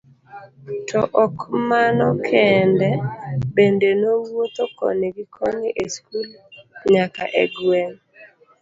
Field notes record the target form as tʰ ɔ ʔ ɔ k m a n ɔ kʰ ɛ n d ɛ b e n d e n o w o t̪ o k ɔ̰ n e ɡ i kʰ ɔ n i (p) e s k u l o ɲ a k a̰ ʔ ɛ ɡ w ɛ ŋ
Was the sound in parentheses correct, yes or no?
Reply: no